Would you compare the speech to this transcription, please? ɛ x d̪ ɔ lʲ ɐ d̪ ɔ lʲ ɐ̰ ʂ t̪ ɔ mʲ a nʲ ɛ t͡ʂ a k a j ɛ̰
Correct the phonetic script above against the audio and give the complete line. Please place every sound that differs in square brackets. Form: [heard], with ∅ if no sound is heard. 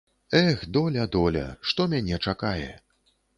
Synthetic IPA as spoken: ɛ x d̪ ɔ lʲ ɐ d̪ ɔ lʲ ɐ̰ ʂ t̪ ɔ mʲ a nʲ ɛ t͡ʂ a k a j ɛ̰